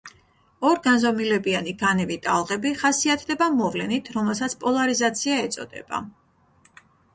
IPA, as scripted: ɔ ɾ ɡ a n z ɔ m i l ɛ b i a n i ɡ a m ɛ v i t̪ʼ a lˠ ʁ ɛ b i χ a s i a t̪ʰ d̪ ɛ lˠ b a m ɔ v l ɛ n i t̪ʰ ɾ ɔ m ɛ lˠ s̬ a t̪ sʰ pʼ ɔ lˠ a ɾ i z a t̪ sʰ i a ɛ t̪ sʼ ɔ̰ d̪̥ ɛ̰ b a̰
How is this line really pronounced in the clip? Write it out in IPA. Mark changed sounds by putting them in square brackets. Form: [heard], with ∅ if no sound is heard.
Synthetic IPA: ɔ ɾ ɡ a n z ɔ m i l ɛ b i a n i ɡ a [n] ɛ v i t̪ʼ a lˠ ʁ ɛ b i χ a s i a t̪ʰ d̪ ɛ [∅] b a m ɔ v l ɛ n i t̪ʰ ɾ ɔ m ɛ lˠ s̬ a t̪ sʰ pʼ ɔ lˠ a ɾ i z a t̪ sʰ i a ɛ t̪ sʼ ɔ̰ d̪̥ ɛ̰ b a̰